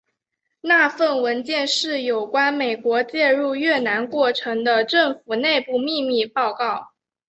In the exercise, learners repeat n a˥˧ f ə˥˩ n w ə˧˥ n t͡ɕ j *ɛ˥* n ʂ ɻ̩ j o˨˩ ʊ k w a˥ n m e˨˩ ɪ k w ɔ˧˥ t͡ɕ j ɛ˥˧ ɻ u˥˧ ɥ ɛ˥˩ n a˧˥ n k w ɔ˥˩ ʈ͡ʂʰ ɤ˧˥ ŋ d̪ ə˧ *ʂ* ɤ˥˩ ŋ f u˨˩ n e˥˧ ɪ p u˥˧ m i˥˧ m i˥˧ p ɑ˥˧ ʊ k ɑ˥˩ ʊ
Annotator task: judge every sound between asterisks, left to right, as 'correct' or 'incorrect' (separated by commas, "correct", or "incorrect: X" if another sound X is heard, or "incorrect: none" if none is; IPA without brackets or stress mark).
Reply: incorrect: ɛ˥˧, incorrect: ʈ͡ʂ